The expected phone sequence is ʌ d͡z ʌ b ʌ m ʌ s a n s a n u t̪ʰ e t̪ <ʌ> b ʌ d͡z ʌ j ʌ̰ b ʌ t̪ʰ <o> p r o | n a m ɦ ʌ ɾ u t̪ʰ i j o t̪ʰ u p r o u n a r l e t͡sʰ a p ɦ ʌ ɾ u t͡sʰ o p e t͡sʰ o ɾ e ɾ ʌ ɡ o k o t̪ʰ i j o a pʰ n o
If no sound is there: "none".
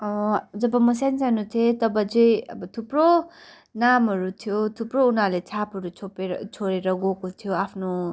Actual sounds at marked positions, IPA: ʌ, u

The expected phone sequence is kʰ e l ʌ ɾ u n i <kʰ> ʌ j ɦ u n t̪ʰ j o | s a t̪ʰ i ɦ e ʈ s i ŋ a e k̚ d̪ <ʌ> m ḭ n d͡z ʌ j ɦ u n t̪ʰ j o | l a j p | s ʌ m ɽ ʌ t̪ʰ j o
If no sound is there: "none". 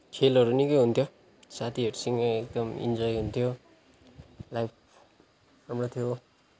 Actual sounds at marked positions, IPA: k, ʌ

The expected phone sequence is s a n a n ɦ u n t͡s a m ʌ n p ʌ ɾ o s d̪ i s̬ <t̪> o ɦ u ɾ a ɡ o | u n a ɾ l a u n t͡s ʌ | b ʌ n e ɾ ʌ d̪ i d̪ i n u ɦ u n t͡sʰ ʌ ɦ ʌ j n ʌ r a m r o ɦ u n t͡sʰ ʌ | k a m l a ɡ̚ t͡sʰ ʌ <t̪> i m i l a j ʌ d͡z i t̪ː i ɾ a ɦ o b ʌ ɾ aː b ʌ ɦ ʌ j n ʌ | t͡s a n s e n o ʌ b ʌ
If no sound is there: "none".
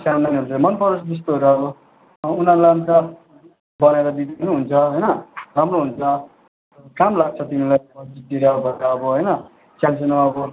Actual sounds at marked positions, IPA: t̪, t̪

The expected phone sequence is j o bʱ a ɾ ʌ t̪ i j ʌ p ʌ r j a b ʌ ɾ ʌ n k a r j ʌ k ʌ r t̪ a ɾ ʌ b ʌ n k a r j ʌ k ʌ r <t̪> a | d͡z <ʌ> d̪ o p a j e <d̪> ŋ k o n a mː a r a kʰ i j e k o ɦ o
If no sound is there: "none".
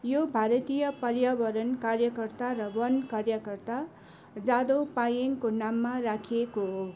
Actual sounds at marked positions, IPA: t̪, a, none

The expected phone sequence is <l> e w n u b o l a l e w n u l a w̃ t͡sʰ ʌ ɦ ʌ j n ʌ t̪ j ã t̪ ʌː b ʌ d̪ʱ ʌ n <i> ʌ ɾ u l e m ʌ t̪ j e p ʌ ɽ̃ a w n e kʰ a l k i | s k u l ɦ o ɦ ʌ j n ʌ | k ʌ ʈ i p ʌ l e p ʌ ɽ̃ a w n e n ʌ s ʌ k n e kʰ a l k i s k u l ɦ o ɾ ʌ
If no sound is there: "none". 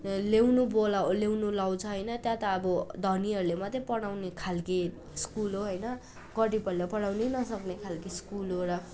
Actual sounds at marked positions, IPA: l, i

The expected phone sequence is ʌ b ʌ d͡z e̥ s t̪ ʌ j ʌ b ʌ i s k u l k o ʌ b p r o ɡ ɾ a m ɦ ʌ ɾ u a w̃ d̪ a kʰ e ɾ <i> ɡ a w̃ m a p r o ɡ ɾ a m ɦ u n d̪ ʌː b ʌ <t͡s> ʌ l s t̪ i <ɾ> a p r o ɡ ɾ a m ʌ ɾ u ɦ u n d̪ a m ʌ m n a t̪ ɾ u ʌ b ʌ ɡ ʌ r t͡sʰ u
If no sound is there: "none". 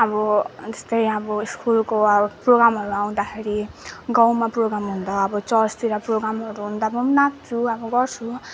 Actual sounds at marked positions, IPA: i, t͡s, ɾ

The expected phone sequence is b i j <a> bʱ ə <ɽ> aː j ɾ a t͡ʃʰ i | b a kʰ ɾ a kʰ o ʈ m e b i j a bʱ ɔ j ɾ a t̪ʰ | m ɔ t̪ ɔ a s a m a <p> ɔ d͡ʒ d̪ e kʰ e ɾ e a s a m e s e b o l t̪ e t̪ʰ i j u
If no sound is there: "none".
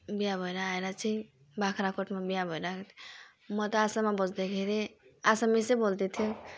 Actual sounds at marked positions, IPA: a, ɾ, b

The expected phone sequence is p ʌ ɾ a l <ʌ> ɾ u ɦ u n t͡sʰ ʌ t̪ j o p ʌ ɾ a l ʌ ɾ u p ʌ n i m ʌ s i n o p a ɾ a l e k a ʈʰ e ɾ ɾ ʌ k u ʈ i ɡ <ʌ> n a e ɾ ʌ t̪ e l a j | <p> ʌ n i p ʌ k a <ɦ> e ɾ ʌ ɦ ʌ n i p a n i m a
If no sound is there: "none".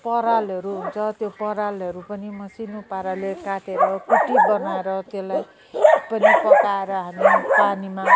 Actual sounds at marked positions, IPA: ʌ, ʌ, p, none

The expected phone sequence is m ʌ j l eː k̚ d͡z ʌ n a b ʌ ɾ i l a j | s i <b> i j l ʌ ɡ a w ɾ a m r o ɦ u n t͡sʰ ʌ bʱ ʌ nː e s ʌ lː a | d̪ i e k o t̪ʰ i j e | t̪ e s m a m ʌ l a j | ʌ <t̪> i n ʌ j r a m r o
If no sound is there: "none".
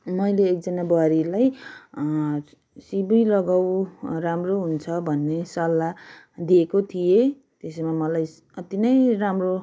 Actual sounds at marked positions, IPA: b, t̪

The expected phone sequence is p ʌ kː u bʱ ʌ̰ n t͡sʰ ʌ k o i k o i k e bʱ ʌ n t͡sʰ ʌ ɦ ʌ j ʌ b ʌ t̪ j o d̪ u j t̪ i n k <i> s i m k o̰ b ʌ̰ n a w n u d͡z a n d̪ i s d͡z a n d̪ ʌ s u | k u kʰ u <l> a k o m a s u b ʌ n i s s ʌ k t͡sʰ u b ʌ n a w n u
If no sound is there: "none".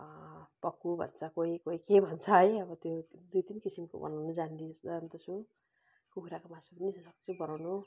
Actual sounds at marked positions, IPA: i, ɾ

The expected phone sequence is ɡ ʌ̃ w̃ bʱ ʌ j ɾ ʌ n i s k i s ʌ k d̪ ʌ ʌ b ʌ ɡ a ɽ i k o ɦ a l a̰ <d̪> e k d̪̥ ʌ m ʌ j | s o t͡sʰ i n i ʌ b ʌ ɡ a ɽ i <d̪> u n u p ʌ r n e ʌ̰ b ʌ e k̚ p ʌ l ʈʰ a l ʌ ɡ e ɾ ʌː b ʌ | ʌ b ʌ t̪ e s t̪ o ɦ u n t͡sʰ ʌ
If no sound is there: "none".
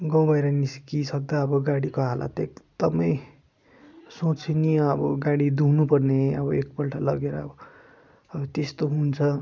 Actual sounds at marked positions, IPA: t̪, d̪

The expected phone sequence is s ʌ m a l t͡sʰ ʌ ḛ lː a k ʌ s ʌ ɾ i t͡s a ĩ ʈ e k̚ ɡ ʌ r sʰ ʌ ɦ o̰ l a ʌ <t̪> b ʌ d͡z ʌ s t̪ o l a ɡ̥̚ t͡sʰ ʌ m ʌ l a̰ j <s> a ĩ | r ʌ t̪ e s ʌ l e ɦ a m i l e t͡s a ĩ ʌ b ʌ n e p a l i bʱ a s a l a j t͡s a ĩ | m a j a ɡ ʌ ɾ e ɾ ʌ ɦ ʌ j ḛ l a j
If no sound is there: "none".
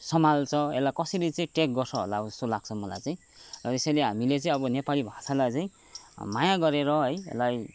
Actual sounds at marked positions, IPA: none, t͡s

